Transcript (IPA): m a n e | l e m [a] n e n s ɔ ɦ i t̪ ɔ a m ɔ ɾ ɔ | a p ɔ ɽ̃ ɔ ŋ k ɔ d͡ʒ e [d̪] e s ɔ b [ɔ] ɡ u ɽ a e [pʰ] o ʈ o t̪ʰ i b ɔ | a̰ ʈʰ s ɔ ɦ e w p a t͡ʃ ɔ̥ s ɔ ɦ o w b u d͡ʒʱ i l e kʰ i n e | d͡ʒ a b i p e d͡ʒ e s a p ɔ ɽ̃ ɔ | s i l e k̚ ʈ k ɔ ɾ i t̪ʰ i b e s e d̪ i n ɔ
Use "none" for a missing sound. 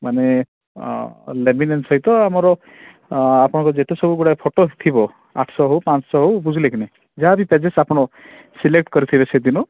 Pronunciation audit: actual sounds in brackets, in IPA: i, t̪, u, pʰ

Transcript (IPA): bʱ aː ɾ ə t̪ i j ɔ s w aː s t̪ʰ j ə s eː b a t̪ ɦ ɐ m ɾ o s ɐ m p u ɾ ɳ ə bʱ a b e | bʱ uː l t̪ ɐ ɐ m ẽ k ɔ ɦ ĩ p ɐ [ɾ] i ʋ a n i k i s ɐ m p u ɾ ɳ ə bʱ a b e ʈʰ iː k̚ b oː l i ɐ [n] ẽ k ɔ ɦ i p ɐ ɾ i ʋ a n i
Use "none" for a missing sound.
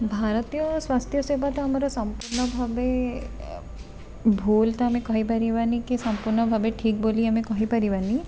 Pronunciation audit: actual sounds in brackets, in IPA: ɾ, m

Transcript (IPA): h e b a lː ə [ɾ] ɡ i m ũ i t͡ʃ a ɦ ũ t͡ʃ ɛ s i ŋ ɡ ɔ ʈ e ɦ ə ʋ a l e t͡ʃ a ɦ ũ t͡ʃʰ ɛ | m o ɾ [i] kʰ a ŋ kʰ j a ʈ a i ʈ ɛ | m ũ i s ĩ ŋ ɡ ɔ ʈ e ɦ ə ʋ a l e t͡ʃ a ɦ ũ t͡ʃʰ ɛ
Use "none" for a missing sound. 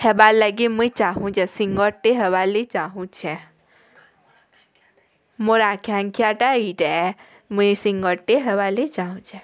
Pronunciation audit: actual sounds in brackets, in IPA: none, a

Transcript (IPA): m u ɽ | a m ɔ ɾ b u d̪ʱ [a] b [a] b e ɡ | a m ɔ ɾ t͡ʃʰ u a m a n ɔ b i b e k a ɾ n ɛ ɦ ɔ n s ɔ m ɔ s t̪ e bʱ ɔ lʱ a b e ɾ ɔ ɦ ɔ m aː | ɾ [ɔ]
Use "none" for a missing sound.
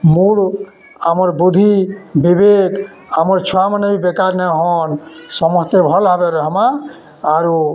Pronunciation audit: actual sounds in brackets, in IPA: i, i, u

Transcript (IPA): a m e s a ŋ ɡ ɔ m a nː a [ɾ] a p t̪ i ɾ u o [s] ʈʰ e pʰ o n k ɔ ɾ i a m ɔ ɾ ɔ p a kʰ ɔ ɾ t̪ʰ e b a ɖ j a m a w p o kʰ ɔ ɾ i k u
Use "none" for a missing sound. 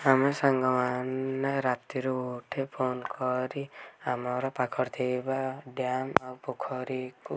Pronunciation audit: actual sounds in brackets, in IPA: ɾ, none

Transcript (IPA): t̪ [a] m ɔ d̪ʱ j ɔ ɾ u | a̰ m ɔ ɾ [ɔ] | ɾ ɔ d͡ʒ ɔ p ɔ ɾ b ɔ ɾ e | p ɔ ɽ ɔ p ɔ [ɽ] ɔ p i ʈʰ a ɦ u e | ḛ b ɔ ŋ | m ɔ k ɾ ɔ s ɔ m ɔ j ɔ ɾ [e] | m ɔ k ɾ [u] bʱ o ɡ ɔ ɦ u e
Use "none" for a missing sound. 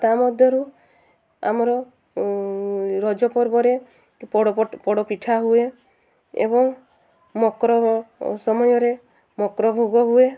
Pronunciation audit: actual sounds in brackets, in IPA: a, ɔ, ɽ, e, ɔ

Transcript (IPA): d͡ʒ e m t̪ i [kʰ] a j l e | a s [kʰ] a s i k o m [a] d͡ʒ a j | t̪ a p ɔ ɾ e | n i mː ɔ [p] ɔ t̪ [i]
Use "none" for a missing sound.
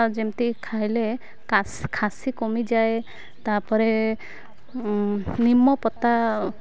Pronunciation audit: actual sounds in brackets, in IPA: kʰ, kʰ, i, p, a

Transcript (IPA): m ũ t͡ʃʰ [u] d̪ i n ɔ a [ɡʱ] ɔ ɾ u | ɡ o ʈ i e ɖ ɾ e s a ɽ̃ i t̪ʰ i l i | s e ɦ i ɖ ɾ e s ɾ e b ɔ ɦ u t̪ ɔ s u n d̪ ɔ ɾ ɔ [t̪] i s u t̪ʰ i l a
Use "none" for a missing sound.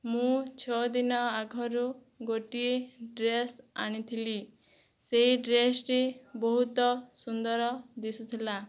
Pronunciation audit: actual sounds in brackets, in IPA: ɔ, ɡʱ, d̪

